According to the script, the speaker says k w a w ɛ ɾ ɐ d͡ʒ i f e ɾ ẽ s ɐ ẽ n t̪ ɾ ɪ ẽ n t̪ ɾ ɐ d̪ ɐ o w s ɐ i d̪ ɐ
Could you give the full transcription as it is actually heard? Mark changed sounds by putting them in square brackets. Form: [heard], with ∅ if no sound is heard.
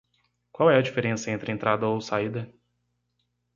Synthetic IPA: k w a w ɛ [∅] ɐ d͡ʒ i f e ɾ ẽ s ɐ ẽ n t̪ ɾ ɪ ẽ n t̪ ɾ [a] d̪ ɐ o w s [a] i d̪ ɐ